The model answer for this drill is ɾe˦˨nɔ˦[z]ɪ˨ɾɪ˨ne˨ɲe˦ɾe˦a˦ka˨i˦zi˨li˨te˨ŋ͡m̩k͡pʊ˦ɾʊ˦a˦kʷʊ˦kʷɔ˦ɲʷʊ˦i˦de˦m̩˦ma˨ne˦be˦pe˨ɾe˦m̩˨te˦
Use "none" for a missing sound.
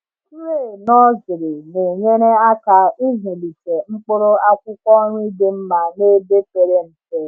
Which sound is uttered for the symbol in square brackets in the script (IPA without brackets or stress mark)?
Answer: z